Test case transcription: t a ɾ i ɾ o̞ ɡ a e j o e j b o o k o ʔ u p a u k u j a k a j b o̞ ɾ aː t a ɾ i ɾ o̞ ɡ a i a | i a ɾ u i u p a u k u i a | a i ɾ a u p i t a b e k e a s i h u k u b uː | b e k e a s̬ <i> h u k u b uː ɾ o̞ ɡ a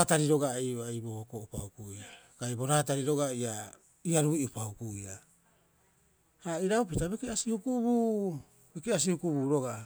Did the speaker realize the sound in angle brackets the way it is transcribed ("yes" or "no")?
yes